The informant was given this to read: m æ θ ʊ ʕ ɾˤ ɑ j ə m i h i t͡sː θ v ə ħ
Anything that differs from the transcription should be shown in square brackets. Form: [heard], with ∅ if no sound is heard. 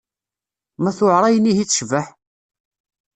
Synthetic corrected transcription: m æ θ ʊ ʕ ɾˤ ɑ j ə [n] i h i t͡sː [ʃ] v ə ħ